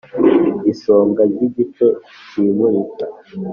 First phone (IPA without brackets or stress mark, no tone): i